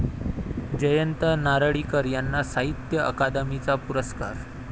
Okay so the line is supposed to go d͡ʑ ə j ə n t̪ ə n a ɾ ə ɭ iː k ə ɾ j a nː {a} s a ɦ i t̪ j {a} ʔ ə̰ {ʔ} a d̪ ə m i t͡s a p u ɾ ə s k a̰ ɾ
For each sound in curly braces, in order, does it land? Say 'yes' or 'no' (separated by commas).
yes, no, no